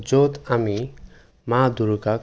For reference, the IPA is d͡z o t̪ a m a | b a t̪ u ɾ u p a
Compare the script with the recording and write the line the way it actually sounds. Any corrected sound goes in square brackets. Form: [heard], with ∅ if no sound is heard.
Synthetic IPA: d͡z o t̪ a m [i] | [m] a [d̪] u ɾ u [k] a